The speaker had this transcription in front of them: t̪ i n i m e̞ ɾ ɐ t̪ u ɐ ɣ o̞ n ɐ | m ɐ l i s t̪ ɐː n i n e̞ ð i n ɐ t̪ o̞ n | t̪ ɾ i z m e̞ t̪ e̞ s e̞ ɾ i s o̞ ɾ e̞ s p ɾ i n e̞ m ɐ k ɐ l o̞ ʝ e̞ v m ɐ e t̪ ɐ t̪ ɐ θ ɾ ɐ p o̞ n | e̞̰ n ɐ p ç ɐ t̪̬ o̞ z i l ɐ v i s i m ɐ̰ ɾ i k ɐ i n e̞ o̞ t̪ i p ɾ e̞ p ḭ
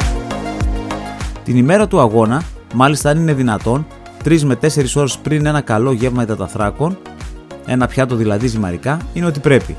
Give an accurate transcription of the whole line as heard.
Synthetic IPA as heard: t̪ i n i m e̞ ɾ ɐ t̪ u ɐ ɣ o̞ n ɐ | m ɐ l i s t̪ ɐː n i n e̞ ð i n ɐ t̪ o̞ n | t̪ ɾ i z m e̞ t̪ e̞ s e̞ ɾ i s o̞ ɾ e̞ s p ɾ i n e̞ n ɐ k ɐ l o̞ ʝ e̞ v m ɐ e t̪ ɐ t̪ ɐ θ ɾ ɐ k o̞ n | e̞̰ n ɐ p ç ɐ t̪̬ o̞ ð i l ɐ ð i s i m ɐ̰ ɾ i k ɐ i n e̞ o̞ t̪ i p ɾ e̞ p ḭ